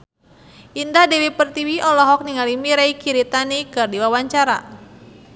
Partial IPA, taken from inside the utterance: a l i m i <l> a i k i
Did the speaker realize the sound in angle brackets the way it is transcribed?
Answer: no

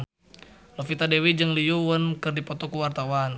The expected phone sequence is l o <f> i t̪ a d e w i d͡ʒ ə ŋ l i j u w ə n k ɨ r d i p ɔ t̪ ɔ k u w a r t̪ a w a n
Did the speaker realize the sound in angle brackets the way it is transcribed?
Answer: yes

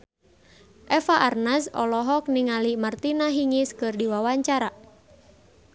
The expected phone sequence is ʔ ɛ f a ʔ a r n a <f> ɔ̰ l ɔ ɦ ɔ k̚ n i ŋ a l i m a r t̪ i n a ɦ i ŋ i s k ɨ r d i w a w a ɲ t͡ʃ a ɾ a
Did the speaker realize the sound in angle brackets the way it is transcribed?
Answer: no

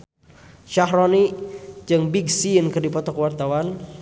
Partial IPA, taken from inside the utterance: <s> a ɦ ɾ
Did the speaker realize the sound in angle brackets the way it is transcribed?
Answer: no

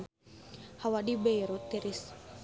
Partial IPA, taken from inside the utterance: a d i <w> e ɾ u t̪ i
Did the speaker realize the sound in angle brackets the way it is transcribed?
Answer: no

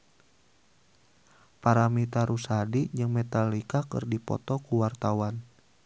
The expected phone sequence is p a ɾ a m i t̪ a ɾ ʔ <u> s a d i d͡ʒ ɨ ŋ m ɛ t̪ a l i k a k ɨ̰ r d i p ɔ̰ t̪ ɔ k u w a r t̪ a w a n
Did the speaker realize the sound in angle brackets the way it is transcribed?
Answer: yes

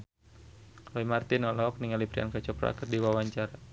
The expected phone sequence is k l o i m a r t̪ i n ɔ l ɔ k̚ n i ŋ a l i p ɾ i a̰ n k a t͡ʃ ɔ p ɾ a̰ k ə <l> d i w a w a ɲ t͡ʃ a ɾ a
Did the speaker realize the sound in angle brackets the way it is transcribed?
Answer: no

